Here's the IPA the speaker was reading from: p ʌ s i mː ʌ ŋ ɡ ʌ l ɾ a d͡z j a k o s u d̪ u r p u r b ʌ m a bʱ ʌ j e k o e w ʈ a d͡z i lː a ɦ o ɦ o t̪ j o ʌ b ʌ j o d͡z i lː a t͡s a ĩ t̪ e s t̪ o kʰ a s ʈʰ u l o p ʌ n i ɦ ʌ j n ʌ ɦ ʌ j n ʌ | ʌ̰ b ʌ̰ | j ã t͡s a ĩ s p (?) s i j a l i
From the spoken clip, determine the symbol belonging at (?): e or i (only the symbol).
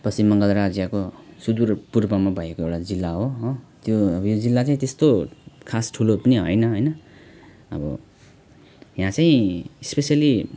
e